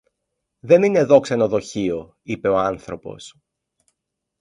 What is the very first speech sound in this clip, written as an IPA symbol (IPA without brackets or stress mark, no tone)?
ð